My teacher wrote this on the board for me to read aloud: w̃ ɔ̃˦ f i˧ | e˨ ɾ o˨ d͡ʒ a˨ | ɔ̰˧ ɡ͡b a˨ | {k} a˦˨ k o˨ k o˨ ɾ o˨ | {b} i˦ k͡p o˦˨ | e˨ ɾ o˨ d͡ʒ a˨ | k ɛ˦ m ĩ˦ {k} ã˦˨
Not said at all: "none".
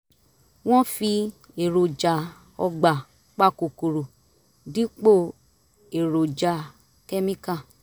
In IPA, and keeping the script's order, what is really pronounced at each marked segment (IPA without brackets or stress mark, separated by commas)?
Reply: k͡p, d, k